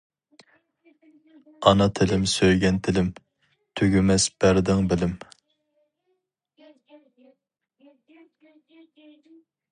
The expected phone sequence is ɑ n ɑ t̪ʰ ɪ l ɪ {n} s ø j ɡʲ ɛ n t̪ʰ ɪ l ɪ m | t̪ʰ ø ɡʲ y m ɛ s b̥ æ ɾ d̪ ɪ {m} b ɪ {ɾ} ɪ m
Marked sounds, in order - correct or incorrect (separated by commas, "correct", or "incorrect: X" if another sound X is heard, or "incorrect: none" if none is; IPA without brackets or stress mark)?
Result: incorrect: m, incorrect: ŋ, incorrect: l